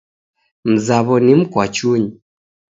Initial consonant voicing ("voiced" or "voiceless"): voiced